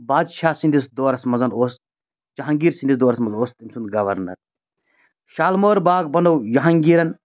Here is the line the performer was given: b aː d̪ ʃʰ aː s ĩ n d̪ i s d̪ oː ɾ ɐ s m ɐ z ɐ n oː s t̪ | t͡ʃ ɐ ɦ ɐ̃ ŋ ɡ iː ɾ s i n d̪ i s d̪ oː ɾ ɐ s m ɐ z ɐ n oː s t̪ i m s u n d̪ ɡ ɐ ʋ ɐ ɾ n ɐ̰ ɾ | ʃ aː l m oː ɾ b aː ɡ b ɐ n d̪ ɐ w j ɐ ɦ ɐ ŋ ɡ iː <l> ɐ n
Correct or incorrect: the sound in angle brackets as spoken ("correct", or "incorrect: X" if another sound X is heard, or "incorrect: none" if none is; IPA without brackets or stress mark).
incorrect: ɾ